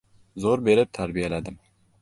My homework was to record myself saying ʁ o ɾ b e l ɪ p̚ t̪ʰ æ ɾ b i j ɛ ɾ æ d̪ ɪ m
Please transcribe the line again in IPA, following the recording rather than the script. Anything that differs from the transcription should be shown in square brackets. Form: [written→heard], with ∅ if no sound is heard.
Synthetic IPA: [ʁ→z] o ɾ b e [l→ɾ] ɪ p̚ t̪ʰ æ ɾ b i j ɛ [ɾ→l] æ d̪ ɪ m